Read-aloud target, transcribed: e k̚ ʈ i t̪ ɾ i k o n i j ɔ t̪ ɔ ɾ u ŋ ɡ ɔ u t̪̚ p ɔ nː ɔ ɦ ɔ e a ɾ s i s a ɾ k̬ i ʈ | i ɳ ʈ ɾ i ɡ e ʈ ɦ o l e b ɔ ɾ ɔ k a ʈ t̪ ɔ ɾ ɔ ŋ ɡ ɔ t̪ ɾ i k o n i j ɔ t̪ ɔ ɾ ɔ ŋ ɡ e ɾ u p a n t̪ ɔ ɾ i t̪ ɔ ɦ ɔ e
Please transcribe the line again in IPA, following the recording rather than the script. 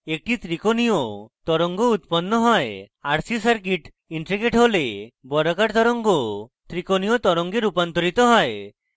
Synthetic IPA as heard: e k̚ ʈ i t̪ ɾ i k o n i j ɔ t̪ ɔ ɾ ɔ ŋ ɡ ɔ u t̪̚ p ɔ nː ɔ ɦ ɔ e a ɾ s i s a ɾ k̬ i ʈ | i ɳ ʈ ɾ i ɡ e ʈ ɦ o l e b ɔ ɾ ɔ k a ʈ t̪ ɔ ɾ ɔ ŋ ɡ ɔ t̪ ɾ i k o n i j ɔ t̪ ɔ ɾ ɔ ŋ ɡ e ɾ u p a n t̪ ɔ ɾ i t̪ ɔ ɦ ɔ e